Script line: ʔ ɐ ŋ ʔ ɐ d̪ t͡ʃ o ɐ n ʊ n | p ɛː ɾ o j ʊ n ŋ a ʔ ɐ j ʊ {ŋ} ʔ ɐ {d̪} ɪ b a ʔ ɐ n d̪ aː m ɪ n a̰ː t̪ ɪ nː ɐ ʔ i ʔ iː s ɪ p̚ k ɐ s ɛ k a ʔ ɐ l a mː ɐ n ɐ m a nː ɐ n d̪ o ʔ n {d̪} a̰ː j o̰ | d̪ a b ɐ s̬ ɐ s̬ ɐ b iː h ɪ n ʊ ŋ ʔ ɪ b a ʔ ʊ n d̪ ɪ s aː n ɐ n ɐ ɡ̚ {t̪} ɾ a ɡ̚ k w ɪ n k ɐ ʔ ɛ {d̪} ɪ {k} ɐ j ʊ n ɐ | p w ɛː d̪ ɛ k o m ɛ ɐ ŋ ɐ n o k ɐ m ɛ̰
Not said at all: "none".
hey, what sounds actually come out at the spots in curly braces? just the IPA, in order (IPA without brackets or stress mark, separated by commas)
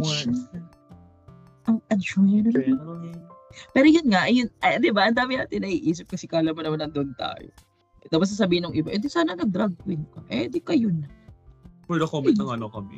n, d̪, t̪, d̪, d̪, k